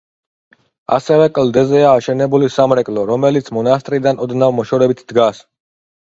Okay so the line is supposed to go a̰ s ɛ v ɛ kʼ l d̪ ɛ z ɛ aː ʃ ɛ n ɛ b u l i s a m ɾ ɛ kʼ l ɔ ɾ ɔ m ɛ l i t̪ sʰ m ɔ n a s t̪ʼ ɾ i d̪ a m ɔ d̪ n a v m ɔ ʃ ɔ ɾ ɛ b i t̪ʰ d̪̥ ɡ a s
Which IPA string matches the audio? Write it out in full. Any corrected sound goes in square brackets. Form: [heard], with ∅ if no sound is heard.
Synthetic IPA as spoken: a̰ s ɛ v ɛ kʼ l d̪ ɛ z ɛ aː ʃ ɛ n ɛ b u l i s a m ɾ ɛ kʼ l ɔ ɾ ɔ m ɛ l i t̪ sʰ m ɔ n a s t̪ʼ ɾ i d̪ a [n] ɔ d̪ n a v m ɔ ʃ ɔ ɾ ɛ b i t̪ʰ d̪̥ ɡ a s